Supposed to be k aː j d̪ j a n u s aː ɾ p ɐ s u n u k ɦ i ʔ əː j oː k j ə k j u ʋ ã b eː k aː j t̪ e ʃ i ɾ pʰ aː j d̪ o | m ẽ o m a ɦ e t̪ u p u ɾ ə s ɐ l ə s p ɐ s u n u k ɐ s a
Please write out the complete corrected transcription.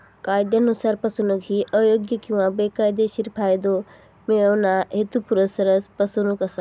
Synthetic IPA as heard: k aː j d̪ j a n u s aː ɾ p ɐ s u n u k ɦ i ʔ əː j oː ɡ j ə k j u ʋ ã b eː k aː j d̪ e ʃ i ɾ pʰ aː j d̪ o | m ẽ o n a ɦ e t̪ u p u ɾ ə s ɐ ɾ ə s p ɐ s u n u k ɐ s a